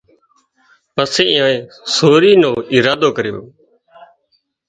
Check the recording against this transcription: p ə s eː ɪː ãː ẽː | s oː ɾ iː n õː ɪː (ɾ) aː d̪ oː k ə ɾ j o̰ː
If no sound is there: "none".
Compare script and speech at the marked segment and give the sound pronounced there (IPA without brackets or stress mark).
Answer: ɾ